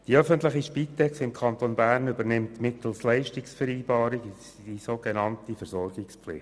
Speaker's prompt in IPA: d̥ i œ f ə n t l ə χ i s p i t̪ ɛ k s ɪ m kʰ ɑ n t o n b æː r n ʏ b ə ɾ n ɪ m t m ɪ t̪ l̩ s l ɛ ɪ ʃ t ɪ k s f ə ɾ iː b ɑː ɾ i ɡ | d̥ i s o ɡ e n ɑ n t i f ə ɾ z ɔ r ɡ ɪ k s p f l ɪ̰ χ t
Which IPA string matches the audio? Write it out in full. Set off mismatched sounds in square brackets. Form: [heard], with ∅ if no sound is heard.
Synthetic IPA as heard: d̥ i œ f ə n t l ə χ i [ʃ] p i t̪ ɛ k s ɪ m kʰ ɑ n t o n b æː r n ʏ b ə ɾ n ɪ m t m ɪ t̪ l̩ s l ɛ ɪ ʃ t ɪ k s f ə ɾ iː b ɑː ɾ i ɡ | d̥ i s o ɡ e n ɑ n t i f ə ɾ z ɔ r ɡ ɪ k s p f l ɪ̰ χ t